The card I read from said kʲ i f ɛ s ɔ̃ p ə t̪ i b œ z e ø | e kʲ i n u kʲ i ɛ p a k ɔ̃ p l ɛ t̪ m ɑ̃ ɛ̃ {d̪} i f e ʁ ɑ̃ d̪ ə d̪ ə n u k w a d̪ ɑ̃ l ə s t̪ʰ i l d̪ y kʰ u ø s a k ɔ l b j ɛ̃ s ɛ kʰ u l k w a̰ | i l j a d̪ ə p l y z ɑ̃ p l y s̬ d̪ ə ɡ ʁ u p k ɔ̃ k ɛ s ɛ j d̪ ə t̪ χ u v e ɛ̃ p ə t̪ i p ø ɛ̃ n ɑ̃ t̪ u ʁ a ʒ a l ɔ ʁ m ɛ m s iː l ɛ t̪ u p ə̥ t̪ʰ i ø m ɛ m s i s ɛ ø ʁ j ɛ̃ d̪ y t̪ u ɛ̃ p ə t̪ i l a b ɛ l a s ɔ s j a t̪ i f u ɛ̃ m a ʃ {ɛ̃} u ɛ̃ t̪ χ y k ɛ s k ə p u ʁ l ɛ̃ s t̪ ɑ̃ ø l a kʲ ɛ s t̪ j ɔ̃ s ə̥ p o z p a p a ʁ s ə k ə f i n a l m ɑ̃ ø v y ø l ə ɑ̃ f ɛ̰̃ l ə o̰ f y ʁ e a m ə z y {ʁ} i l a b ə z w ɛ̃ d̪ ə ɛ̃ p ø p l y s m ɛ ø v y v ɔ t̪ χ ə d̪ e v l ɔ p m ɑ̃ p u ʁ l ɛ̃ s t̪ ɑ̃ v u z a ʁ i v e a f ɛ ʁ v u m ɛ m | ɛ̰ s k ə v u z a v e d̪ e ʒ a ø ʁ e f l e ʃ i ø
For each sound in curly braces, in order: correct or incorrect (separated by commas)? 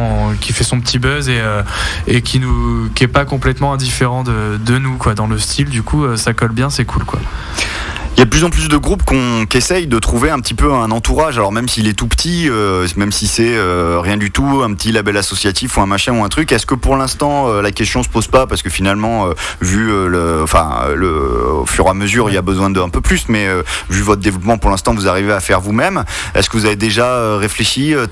correct, correct, correct